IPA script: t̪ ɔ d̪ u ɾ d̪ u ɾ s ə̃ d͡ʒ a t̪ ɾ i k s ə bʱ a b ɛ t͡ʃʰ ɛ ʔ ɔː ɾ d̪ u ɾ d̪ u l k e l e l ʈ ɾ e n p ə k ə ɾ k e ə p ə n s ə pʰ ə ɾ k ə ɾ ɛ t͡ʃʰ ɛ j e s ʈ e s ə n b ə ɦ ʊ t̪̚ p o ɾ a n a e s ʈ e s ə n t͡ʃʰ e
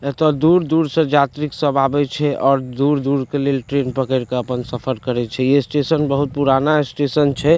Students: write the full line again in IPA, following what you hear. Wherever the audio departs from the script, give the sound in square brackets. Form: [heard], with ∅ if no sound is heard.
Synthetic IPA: t̪ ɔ d̪ u ɾ d̪ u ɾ s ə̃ d͡ʒ a t̪ ɾ i k s ə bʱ a b ɛ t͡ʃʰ ɛ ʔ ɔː ɾ d̪ u ɾ d̪ u [ɾ] k e l e l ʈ ɾ e n p ə k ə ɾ k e ə p ə n s ə pʰ ə ɾ k ə ɾ ɛ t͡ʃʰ ɛ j e s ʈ e s ə n b ə ɦ [u] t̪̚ p [u] ɾ a n a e s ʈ e s ə n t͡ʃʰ [ɛ]